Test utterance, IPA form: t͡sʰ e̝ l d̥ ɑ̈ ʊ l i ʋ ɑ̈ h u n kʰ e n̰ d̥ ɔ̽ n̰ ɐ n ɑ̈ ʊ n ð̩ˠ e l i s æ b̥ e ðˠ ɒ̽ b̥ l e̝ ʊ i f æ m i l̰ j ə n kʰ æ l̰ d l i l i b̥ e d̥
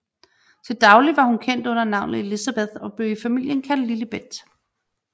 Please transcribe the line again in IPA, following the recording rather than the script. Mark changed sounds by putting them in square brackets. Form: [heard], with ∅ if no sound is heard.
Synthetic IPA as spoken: t͡sʰ e̝ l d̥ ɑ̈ ʊ l i ʋ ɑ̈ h u n kʰ e n̰ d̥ ɔ̽ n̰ ɐ n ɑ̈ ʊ n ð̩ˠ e l i s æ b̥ e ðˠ ɒ̽ b̥ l e̝ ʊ i f æ m i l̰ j ə n kʰ æ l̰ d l i l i b̥ e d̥